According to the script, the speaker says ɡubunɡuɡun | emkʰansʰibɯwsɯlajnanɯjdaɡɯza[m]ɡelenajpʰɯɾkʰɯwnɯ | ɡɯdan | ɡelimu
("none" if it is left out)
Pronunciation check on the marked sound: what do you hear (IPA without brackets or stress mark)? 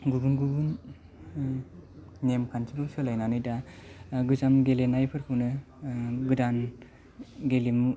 m